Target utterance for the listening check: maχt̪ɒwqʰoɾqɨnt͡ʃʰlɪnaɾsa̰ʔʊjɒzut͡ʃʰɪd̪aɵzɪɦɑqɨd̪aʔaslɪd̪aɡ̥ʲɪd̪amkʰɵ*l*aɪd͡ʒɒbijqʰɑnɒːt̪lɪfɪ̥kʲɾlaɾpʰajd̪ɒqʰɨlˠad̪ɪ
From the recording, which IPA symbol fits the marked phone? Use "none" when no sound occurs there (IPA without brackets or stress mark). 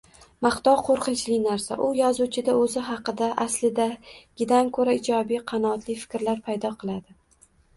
ɾ